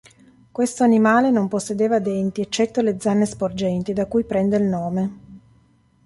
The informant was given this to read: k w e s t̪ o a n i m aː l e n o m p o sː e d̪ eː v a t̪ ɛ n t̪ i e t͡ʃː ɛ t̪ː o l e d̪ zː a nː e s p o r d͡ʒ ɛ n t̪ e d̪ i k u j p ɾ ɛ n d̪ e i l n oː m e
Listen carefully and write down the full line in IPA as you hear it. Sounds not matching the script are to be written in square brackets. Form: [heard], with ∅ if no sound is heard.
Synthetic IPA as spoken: k w e s t̪ o a n i m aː l e n o m p o sː e d̪ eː v a [d̪] ɛ n t̪ i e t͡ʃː ɛ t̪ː o l e d̪ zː a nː e s p o r d͡ʒ ɛ n t̪ [i] d̪ [a] k u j p ɾ ɛ n d̪ e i l n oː m e